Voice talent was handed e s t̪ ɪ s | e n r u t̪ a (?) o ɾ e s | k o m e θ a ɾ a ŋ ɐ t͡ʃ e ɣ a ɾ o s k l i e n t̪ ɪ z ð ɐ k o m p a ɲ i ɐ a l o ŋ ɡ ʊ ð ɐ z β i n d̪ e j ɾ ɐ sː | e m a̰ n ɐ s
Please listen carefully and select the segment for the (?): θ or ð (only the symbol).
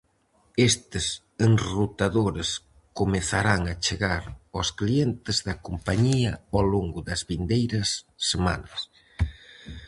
ð